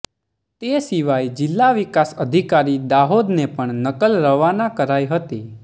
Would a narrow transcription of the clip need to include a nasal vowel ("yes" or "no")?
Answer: no